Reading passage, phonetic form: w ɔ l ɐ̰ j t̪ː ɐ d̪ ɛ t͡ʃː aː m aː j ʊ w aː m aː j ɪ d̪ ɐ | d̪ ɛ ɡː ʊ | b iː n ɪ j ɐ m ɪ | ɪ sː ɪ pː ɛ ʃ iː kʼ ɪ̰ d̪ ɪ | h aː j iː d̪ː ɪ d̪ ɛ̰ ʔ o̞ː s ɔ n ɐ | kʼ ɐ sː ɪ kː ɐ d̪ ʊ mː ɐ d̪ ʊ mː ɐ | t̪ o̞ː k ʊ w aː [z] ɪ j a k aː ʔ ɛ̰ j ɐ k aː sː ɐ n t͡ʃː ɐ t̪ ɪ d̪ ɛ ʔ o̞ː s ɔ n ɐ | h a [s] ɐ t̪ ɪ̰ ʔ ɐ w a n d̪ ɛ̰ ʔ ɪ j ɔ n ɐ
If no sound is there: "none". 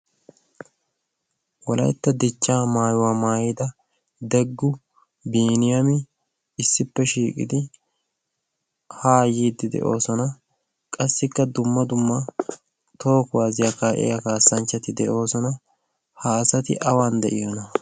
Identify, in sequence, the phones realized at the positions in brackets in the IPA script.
z, s

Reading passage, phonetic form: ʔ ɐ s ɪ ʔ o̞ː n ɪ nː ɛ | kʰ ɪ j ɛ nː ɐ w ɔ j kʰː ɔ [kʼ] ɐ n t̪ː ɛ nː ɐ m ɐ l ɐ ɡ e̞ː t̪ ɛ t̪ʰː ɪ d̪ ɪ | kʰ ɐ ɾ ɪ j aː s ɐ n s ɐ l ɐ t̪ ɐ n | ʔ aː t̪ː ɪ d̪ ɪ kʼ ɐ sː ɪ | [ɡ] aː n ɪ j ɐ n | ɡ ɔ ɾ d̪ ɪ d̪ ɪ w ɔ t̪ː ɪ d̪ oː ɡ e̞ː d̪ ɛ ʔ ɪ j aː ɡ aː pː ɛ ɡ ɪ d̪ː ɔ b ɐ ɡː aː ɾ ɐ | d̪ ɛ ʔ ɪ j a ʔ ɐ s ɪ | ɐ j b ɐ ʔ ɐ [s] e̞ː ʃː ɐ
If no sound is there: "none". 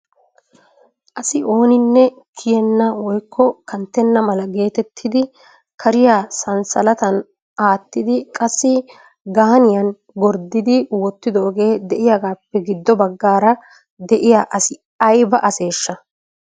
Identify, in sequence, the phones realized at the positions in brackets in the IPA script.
k, ɡ, s

